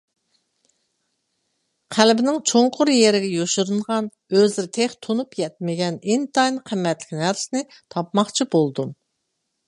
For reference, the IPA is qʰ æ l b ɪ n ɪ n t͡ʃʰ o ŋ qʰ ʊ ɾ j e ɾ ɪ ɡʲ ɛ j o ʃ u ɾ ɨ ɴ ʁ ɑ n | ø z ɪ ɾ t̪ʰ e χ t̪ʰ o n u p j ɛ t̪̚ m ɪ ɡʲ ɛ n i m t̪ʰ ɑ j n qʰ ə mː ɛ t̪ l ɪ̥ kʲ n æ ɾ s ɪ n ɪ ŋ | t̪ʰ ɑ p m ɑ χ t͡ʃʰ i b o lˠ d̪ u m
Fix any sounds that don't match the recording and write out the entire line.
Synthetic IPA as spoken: qʰ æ l b ɪ n ɪ ŋ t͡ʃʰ o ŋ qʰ ʊ ɾ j e ɾ ɪ ɡʲ ɛ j o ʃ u ɾ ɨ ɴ ʁ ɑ n | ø z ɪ ɾ t̪ʰ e χ t̪ʰ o n u p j ɛ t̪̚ m ɪ ɡʲ ɛ n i n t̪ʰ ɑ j n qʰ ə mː ɛ t̪ l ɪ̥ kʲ n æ ɾ s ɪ n ɪ | t̪ʰ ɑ p m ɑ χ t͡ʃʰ i b o lˠ d̪ u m